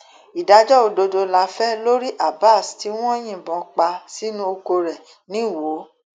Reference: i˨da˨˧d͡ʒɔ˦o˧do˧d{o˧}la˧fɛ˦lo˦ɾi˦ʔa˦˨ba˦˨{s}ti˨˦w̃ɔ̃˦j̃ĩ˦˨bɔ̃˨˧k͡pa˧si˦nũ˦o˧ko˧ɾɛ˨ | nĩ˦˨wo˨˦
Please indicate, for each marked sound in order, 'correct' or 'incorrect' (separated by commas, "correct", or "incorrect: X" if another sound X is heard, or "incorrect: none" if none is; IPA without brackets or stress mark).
correct, correct